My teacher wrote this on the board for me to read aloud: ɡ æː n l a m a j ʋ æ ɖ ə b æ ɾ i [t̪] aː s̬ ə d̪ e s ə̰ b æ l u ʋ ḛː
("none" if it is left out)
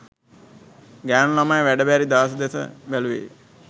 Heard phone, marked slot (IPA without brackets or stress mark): d̪